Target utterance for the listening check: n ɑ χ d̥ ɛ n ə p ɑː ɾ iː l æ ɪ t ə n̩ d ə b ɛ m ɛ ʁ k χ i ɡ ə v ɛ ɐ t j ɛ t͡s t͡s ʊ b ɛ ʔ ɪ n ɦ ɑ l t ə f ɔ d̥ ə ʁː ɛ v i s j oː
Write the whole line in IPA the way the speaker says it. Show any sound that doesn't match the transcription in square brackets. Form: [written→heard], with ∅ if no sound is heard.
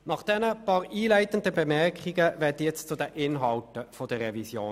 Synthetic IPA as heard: n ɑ χ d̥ ɛ n ə p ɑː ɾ iː l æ ɪ t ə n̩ d ə b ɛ m ɛ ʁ k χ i ɡ ə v ɛ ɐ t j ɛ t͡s t͡s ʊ [b→d] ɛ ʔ ɪ n ɦ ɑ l t ə f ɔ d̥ ə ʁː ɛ v i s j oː